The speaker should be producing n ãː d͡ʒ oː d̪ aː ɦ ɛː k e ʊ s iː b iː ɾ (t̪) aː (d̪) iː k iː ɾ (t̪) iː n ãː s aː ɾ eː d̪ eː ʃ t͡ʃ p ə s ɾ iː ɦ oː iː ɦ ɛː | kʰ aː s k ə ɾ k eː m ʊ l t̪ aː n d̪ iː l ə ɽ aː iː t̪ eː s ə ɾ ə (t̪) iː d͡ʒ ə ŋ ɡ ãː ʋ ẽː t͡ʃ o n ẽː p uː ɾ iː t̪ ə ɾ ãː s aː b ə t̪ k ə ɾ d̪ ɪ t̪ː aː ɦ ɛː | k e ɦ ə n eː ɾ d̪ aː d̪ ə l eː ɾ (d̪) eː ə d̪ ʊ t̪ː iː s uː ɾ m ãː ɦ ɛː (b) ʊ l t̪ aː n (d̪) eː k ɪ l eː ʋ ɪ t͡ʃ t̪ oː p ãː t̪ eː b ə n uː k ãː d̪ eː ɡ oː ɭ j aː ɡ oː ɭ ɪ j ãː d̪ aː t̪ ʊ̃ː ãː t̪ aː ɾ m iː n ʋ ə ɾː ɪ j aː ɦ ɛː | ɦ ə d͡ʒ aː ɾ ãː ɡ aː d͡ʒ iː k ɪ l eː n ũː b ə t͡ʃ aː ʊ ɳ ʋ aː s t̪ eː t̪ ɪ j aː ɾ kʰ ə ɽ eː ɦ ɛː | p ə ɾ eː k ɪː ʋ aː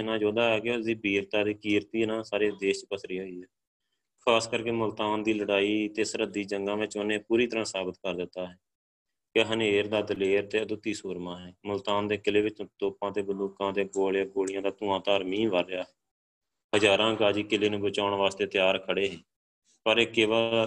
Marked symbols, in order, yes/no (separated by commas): yes, yes, yes, no, no, no, yes